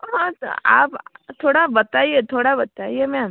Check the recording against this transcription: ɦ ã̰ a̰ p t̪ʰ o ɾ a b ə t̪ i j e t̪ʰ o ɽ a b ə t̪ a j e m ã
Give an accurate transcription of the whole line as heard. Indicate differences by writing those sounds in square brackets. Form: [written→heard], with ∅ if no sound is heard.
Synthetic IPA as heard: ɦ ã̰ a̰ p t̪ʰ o [ɾ→ɽ] a b ə t̪ [i→a] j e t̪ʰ o ɽ a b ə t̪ a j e m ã